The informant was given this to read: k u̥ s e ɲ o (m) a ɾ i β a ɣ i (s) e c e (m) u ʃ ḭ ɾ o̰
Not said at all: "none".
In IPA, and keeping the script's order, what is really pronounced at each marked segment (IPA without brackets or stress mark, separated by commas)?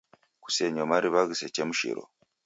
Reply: m, s, m